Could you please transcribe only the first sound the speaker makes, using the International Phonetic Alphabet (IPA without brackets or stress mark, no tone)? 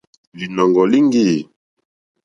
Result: l